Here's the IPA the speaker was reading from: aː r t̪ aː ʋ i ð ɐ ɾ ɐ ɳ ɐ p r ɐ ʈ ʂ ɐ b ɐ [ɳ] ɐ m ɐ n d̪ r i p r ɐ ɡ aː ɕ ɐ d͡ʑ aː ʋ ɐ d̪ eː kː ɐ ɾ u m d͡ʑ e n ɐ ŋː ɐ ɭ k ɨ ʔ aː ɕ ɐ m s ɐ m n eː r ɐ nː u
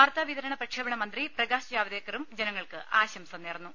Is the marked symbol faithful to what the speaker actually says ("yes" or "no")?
yes